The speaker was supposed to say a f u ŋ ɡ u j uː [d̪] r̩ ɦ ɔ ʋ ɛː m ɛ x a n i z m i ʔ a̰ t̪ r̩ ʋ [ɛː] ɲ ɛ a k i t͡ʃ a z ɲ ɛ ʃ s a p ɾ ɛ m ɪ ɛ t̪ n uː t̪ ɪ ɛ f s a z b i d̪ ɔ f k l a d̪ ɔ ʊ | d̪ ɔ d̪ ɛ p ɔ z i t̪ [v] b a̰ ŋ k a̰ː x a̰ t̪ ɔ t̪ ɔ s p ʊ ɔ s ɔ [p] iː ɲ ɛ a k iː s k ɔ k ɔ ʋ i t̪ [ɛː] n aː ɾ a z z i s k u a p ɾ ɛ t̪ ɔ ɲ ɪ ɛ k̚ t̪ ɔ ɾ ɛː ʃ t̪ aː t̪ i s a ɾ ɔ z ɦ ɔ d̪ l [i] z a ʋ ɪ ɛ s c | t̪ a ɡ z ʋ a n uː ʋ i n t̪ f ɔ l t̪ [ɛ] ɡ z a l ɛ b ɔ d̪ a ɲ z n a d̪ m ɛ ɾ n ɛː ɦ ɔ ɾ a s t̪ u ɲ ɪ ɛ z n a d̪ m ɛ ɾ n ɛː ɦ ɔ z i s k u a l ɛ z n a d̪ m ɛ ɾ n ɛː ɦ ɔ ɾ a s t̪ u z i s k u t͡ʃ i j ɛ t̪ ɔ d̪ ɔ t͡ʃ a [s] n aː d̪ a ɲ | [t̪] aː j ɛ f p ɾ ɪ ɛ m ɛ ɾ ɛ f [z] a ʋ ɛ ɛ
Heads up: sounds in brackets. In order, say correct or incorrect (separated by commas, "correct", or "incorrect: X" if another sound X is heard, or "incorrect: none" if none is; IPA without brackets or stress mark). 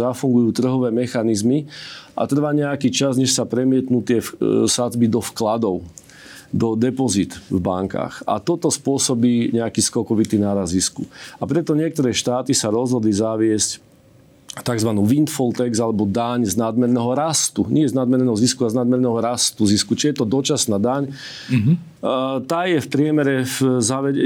incorrect: t̪, incorrect: aː, correct, incorrect: b, incorrect: iː, correct, correct, correct, correct, correct